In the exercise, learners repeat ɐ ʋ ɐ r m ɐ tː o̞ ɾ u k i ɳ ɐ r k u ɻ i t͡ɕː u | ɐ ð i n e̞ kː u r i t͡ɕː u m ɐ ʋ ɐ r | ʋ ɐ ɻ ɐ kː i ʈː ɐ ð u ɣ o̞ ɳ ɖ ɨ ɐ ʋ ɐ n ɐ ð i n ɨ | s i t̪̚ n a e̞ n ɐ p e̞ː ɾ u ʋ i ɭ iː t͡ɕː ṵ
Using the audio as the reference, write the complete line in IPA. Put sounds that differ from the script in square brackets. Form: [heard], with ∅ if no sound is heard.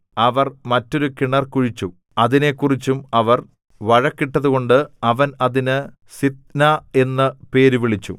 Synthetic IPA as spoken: ɐ ʋ ɐ r m ɐ tː o̞ ɾ u k i ɳ ɐ r k u ɻ i t͡ɕː u | ɐ ð i n e̞ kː u r i t͡ɕː u m ɐ ʋ ɐ r | ʋ ɐ ɻ ɐ kː i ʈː ɐ ð u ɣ o̞ ɳ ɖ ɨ ɐ ʋ ɐ n ɐ ð i n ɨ | s i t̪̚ n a e̞ [nː] ɐ p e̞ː ɾ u ʋ i ɭ [i] t͡ɕː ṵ